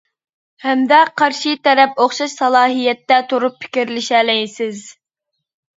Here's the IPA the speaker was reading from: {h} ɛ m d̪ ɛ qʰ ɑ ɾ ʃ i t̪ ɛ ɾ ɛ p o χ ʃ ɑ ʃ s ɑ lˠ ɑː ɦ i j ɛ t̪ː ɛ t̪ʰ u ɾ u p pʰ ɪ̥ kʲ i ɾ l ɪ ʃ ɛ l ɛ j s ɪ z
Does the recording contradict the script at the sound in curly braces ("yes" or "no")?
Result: no